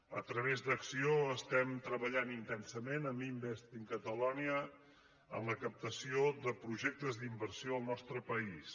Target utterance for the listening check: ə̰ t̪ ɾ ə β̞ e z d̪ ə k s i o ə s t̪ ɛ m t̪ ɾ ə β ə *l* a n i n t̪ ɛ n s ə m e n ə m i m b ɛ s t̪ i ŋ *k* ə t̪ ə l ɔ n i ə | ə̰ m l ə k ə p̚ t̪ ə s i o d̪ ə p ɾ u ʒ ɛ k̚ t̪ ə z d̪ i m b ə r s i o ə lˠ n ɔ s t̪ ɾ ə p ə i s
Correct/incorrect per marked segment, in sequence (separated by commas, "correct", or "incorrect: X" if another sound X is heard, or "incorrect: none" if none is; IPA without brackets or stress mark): incorrect: ʎ, correct